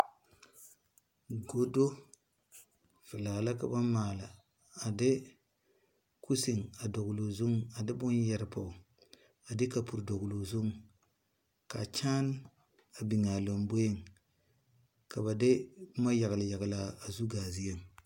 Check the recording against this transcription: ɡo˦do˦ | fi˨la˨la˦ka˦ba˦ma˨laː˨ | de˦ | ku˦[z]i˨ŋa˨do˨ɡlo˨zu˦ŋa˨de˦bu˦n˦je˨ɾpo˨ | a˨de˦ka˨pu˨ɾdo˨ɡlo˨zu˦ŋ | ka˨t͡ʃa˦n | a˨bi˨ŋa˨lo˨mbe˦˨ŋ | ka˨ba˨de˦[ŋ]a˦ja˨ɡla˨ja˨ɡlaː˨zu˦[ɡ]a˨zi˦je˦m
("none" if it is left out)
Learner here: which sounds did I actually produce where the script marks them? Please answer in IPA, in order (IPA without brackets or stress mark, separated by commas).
s, m, ɡ